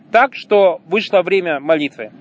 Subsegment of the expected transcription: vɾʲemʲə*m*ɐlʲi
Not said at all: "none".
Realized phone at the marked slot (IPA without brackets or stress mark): m